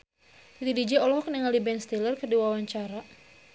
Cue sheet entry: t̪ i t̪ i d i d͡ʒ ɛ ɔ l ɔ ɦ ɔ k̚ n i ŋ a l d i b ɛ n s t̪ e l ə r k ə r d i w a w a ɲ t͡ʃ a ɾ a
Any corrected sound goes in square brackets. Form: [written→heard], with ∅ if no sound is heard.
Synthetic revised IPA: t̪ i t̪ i d i d͡ʒ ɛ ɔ l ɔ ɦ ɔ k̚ n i ŋ a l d i b ɛ n s t̪ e l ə r k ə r d i w a w a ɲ t͡ʃ a ɾ a